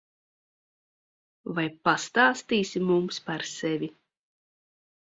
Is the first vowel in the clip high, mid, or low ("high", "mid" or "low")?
low